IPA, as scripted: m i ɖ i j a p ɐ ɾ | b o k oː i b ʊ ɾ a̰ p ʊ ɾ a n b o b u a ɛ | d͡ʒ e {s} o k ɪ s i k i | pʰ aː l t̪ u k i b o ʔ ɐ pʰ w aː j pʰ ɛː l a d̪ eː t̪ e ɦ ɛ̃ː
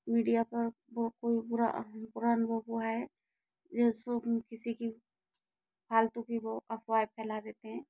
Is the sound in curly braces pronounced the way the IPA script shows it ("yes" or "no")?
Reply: yes